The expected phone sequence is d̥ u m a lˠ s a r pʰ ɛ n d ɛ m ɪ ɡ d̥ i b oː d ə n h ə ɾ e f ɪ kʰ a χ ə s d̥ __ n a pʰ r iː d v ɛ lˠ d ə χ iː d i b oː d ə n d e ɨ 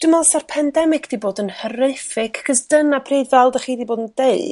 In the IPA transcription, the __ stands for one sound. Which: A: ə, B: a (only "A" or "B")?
A